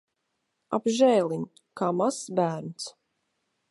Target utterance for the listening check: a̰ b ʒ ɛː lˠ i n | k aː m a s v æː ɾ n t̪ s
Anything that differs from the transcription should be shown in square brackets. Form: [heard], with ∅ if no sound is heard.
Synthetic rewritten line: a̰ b ʒ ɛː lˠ i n | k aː m a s [b] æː ɾ n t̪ s